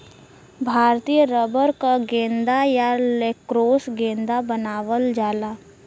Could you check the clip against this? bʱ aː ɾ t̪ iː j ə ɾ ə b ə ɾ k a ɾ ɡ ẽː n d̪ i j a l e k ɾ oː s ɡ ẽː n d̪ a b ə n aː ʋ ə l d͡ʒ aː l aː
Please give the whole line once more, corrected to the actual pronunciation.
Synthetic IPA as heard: bʱ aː ɾ t̪ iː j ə ɾ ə b ə ɾ k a ɡ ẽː n d̪ a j a l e k ɾ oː s ɡ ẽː n d̪ a b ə n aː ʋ ə l d͡ʒ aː l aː